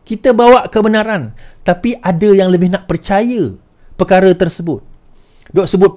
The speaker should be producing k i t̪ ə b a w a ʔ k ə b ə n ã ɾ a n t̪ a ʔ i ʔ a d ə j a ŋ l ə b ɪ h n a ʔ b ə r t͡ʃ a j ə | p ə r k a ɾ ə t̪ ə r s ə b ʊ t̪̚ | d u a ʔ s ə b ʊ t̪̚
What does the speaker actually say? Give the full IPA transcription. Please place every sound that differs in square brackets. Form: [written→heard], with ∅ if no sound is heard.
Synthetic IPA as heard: k i t̪ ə b a w a ʔ k ə b ə n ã ɾ a n t̪ a [ʔ→p] i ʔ a d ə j a ŋ l ə b ɪ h n a ʔ [b→p] ə r t͡ʃ a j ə | p ə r k a ɾ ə t̪ ə r s ə b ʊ t̪̚ | d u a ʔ s ə b ʊ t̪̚